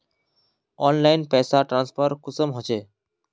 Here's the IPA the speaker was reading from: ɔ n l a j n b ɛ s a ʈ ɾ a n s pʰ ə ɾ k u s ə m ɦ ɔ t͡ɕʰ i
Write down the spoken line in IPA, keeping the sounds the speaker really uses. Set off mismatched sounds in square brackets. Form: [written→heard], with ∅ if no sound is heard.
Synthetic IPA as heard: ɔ n l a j n [b→p] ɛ s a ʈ ɾ a n s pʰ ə ɾ k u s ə m ɦ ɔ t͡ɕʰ [i→e]